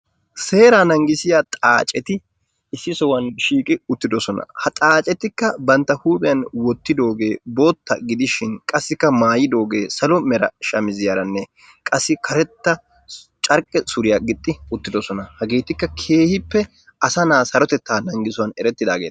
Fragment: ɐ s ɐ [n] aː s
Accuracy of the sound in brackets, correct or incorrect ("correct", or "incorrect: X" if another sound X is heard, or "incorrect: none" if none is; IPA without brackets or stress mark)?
correct